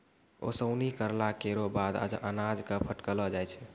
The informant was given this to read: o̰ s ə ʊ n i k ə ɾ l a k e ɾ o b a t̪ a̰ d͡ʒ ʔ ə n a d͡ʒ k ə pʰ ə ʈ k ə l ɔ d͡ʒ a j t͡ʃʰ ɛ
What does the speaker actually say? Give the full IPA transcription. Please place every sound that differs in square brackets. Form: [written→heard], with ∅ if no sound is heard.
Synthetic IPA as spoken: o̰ s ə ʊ n i k ə ɾ l a k e ɾ o b a [t̪→d̪] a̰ d͡ʒ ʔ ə n a d͡ʒ k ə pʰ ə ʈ k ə l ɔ d͡ʒ a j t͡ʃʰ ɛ